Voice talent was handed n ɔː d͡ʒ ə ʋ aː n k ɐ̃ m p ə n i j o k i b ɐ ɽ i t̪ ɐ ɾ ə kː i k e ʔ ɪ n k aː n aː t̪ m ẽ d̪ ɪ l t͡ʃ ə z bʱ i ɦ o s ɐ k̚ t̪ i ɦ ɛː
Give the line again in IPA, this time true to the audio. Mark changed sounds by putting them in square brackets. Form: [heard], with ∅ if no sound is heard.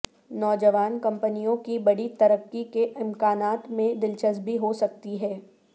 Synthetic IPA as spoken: n ɔː d͡ʒ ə ʋ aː n k ɐ̃ m p ə n i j [õ] k i b ɐ ɽ i t̪ ɐ ɾ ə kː i k e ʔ ɪ [m] k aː n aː t̪ m ẽ d̪ ɪ l t͡ʃ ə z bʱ i ɦ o s ɐ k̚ t̪ i ɦ ɛː